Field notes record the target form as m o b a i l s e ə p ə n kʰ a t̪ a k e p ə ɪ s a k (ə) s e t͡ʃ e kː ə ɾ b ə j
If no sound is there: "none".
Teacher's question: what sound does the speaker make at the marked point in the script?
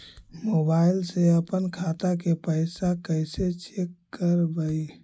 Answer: ə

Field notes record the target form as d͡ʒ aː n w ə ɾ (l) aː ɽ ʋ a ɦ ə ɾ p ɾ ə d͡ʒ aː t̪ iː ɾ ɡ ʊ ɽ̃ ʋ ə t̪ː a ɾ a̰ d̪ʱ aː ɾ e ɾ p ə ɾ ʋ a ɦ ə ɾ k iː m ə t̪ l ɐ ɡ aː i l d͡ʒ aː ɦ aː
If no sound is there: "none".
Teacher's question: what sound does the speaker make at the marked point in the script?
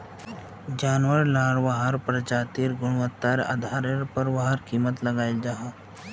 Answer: l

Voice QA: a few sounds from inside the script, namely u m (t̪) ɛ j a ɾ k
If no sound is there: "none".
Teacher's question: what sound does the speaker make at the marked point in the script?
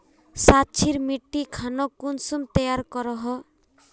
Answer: t̪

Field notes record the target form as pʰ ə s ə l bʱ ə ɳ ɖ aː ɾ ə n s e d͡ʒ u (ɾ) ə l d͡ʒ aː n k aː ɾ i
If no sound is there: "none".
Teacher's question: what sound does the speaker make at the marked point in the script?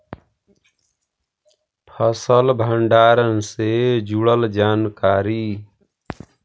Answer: ɽ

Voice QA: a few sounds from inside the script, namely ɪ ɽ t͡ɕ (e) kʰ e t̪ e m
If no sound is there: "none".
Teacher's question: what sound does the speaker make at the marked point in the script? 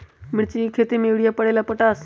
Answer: i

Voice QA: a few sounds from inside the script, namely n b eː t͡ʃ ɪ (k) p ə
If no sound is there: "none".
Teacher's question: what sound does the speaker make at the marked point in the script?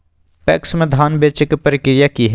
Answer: k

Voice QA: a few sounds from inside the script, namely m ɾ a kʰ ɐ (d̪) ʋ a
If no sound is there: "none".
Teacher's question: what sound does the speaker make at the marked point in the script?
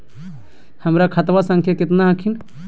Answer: t̪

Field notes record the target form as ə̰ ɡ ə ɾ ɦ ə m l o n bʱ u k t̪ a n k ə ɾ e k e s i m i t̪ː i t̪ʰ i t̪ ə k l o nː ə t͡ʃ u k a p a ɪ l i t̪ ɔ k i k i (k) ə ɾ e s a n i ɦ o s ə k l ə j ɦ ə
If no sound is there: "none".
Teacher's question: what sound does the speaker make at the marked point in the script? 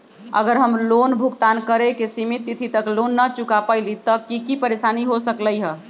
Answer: p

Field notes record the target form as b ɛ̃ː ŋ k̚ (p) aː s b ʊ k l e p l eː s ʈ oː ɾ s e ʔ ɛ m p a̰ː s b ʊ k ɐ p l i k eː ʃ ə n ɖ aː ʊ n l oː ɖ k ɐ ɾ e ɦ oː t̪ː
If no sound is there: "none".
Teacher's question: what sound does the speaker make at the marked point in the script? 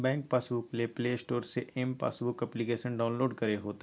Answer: p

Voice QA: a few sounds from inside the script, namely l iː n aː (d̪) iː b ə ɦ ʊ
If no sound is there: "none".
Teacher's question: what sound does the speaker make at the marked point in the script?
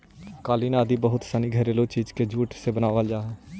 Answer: d̪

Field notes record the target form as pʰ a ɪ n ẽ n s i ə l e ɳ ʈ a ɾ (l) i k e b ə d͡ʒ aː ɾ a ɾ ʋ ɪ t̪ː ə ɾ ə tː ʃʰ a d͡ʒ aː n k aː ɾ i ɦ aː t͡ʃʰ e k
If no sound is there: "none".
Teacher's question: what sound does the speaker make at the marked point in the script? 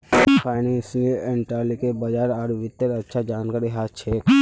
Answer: l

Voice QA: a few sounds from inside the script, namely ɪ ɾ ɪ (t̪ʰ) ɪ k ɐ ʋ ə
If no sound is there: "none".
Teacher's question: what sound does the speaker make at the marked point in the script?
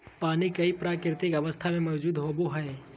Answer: t̪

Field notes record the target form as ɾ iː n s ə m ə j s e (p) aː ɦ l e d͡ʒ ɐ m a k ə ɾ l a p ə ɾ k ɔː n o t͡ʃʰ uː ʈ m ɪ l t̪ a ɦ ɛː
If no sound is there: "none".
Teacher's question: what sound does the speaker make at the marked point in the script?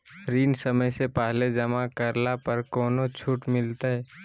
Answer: p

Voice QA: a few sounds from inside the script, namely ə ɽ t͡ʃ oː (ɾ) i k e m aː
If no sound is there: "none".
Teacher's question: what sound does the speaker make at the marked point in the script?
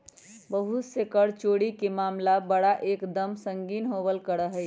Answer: ɽ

